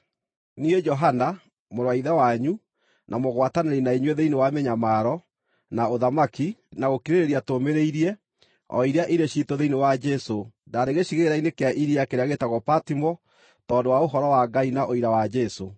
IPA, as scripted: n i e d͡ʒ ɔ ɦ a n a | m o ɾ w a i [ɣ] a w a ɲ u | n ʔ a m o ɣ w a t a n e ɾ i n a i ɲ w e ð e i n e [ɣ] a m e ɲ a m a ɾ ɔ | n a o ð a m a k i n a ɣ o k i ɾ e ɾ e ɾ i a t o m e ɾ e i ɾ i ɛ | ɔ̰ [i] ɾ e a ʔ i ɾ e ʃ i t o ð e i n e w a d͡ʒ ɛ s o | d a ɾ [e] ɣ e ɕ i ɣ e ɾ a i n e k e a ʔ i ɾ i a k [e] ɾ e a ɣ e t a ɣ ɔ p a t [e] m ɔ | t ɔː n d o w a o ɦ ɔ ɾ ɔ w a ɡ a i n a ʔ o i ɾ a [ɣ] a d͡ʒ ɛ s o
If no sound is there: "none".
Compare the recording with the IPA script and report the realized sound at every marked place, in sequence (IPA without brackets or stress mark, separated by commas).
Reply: ð, w, i, e, e, i, w